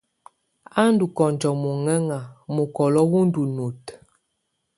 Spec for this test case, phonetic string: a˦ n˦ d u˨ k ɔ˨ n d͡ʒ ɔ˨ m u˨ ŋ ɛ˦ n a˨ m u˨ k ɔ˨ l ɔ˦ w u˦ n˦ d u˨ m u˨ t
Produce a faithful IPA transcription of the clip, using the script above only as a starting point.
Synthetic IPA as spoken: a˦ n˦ d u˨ k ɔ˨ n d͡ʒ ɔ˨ m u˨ ŋ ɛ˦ ŋ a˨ m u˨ k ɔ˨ l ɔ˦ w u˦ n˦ d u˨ n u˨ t